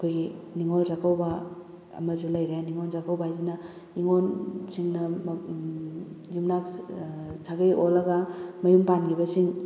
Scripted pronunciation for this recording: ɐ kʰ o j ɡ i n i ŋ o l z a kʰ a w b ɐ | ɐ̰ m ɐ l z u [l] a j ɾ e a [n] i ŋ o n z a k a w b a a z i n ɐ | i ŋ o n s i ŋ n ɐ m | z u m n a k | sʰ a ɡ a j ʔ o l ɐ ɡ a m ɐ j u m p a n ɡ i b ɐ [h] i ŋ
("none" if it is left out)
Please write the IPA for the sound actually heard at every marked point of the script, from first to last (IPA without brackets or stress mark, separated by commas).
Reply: l, n, s